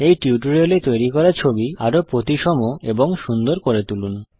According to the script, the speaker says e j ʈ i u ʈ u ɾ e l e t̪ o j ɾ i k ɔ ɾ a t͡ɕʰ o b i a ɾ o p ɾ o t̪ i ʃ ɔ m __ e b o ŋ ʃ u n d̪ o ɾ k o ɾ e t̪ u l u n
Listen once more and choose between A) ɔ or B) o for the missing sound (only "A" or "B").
B